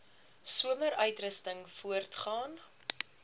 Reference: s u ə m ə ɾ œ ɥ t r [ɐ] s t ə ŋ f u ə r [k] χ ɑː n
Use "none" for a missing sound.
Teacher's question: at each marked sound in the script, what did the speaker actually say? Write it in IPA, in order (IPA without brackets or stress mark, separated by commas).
ə, t